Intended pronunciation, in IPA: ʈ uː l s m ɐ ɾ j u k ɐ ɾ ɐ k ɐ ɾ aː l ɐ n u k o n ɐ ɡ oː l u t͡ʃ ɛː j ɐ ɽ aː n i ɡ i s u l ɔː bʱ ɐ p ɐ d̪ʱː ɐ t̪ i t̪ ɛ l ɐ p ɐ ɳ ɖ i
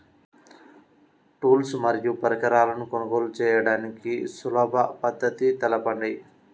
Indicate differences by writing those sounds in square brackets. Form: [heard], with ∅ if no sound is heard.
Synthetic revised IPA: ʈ uː l s m ɐ ɾ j u [p] ɐ ɾ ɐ k ɐ ɾ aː l ɐ n u k o n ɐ ɡ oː l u t͡ʃ ɛː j ɐ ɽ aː n i [k] i s u l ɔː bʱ ɐ p ɐ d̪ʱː ɐ t̪ i t̪ ɛ l ɐ p ɐ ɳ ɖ i